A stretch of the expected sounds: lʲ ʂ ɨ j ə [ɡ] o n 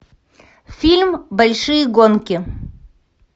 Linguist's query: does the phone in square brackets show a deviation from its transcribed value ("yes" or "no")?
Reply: no